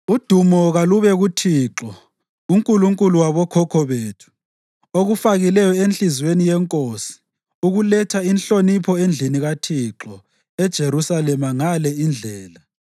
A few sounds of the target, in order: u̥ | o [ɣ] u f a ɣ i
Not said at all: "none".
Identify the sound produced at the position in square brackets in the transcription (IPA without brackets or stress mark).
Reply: ɣ